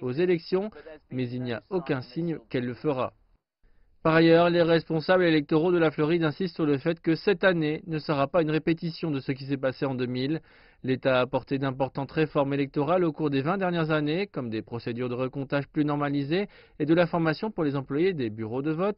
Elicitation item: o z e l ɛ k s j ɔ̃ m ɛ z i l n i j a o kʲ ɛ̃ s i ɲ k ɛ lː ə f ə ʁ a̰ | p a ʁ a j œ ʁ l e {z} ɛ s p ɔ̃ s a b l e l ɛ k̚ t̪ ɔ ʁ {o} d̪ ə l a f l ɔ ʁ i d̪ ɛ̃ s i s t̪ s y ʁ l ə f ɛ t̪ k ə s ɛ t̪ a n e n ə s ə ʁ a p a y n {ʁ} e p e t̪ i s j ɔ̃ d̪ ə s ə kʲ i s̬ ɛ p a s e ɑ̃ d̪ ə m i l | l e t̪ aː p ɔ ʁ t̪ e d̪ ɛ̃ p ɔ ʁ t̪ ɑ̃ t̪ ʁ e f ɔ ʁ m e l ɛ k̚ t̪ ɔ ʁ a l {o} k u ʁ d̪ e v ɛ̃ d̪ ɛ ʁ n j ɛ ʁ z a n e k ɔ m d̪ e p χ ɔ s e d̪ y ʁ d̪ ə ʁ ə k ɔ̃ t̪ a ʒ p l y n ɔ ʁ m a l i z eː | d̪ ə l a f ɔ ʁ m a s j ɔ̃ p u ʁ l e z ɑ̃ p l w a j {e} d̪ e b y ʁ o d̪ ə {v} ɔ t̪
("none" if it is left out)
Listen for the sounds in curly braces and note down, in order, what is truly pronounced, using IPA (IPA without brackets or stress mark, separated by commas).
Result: ʁ, o, ʁ, o, e, v